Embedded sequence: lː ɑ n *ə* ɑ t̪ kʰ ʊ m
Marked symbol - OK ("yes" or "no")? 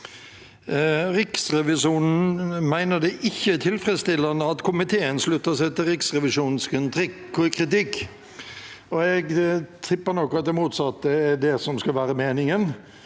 yes